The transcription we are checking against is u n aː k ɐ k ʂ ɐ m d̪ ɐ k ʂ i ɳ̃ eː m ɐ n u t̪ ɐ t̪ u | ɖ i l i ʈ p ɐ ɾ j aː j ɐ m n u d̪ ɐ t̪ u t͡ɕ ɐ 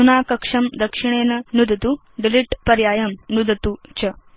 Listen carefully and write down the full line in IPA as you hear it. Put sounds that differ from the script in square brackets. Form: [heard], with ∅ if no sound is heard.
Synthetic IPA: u n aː k ɐ k ʂ ɐ m d̪ ɐ k ʂ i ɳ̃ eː [n] ɐ n u [d̪] ɐ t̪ u | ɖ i l i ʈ p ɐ ɾ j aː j ɐ m n u d̪ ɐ t̪ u t͡ɕ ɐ